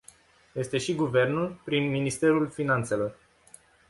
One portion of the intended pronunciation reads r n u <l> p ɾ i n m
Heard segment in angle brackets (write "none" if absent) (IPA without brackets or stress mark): l